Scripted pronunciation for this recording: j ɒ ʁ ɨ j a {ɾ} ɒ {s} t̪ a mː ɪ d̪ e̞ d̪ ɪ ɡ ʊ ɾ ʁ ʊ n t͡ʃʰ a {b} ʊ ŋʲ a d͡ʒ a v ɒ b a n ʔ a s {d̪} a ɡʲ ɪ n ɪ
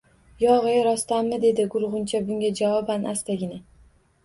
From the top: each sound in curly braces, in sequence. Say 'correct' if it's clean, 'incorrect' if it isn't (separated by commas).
correct, correct, correct, incorrect